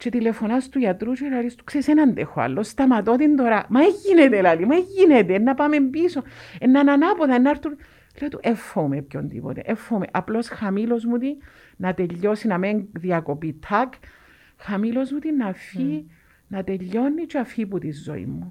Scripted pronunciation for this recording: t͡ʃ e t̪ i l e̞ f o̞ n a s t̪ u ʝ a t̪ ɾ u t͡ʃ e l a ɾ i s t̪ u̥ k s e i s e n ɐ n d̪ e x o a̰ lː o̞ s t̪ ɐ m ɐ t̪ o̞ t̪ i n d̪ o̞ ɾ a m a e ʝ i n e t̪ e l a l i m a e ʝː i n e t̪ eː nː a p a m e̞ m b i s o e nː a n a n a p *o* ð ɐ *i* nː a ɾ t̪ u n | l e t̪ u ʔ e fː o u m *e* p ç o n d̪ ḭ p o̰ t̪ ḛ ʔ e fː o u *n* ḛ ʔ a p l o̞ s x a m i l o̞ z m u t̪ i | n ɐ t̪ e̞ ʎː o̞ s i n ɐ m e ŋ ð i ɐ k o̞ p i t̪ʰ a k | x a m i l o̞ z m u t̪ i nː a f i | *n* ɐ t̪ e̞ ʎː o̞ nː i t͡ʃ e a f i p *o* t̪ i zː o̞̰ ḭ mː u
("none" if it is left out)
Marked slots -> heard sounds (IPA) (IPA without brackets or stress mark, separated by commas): o, e, e, m, n, u